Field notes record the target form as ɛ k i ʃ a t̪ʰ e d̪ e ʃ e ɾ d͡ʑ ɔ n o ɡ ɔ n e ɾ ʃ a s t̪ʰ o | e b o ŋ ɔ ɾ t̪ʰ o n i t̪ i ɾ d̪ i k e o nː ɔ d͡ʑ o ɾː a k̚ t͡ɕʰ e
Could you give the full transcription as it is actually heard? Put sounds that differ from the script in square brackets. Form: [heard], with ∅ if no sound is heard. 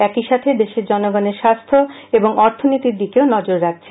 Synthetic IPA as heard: ɛ k i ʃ a t̪ʰ e d̪ e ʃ e ɾ d͡ʑ ɔ n o ɡ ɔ n e ɾ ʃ a s t̪ʰ o | e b o ŋ ɔ ɾ t̪ʰ o n i t̪ i ɾ d̪ i k e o [n] ɔ d͡ʑ o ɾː a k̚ t͡ɕʰ e